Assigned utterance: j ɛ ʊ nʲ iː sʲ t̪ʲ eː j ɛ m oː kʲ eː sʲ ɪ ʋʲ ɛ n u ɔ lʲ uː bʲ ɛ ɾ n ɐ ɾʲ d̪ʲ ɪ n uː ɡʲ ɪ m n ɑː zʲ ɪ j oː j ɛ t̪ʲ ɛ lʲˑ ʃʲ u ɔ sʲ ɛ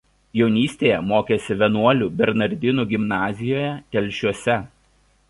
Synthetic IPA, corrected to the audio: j ɛ ʊ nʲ iː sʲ t̪ʲ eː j ɛ m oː kʲ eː sʲ ɪ ʋʲ ɛ n u ɔ lʲ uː bʲ ɛ ɾ n ɐ ɾʲ d̪ʲ ɪ n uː ɡʲ ɪ m n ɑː zʲ ɪ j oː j ɛ t̪ʲ ɛ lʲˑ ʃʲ u ɔ sʲ ɛ